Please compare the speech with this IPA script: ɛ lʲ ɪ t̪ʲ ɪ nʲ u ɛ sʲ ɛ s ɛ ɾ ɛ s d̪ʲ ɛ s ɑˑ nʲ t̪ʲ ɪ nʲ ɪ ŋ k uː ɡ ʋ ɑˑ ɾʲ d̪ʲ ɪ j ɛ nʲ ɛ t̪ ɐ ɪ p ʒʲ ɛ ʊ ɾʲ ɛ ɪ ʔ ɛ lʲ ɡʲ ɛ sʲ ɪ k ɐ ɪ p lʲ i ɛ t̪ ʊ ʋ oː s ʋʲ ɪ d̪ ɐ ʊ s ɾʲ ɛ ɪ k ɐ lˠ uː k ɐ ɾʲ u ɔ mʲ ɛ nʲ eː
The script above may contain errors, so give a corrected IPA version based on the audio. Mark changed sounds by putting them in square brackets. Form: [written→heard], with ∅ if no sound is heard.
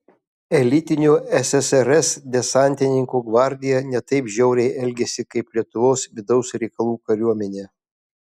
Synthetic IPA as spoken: ɛ lʲ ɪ t̪ʲ ɪ nʲ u ɛ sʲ ɛ s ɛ ɾ ɛ s d̪ʲ ɛ s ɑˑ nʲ t̪ʲ ɪ nʲ ɪ ŋ k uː ɡ ʋ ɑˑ ɾʲ d̪ʲ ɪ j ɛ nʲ ɛ t̪ ɐ ɪ p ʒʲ ɛ ʊ ɾʲ ɛ ɪ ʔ ɛ lʲ ɡʲ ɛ sʲ ɪ k ɐ ɪ p lʲ i ɛ t̪ ʊ ʋ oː s ʋʲ ɪ d̪ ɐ ʊ s ɾʲ ɛ ɪ k ɐ lˠ uː k ɐ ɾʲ u ɔ mʲ ɛ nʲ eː